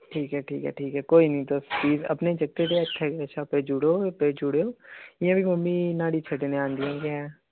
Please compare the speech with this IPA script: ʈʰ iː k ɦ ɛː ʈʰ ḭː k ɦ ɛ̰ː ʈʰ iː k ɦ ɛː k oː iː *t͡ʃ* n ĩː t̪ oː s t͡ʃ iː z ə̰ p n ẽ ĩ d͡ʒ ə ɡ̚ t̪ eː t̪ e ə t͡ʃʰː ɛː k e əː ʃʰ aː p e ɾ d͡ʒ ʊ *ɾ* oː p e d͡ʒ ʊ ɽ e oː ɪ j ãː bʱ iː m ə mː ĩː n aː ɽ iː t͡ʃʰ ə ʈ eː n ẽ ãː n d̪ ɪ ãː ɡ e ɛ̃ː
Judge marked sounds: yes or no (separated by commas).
no, no